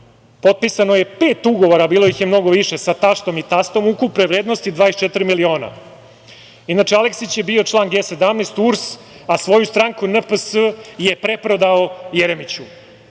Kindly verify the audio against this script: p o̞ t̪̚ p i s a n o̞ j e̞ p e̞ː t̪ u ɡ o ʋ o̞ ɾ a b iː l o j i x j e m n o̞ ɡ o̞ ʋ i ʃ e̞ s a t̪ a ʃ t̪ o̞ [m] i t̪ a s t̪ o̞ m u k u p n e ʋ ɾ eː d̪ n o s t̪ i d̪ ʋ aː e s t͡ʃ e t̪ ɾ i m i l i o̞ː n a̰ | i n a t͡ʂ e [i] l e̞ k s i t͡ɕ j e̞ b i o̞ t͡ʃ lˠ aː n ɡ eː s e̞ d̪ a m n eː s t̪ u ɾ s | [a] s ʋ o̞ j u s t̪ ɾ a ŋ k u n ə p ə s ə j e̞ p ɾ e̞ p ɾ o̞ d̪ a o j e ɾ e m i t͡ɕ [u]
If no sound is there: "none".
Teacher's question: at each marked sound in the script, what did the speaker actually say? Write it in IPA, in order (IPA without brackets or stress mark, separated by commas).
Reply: m, a, a, u